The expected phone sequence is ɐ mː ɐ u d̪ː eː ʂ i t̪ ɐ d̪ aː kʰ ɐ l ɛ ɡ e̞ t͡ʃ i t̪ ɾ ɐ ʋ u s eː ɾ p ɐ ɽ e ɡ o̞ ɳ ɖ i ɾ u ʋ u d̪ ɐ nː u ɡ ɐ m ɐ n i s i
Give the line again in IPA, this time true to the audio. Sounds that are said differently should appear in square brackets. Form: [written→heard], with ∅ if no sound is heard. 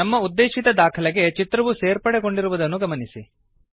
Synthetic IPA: ɐ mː ɐ u d̪ː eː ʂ i t̪ ɐ d̪ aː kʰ ɐ l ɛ ɡ e̞ t͡ʃ i t̪ ɾ ɐ ʋ u s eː ɾ p ɐ ɽ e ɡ o̞ ɳ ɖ i ɾ u ʋ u d̪ ɐ nː u ɡ ɐ m ɐ n i s i